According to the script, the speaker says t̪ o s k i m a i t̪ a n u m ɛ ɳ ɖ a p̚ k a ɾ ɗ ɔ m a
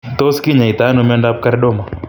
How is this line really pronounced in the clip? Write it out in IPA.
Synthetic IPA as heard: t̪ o s k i ɲ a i t̪ a n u m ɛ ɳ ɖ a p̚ k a ɾ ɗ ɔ m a